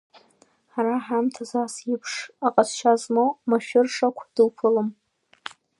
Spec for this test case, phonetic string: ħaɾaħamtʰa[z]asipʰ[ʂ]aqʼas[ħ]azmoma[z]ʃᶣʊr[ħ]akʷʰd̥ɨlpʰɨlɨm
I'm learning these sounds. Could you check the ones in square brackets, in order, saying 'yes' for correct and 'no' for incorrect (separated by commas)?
yes, yes, no, no, no